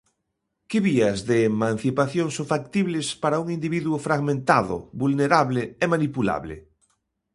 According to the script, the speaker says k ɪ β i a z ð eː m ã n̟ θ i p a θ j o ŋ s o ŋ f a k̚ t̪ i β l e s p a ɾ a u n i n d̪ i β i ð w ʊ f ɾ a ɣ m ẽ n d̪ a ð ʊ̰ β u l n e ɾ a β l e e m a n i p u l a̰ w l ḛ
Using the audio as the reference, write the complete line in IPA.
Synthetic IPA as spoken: k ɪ β i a z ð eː m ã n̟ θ i p a θ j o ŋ s o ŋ f a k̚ t̪ i β l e s p a ɾ a u ŋ i n d̪ i β i ð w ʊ f ɾ a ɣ m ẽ n t̪ a ð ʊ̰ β u l n e ɾ a β l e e m a n i p u l a̰ β l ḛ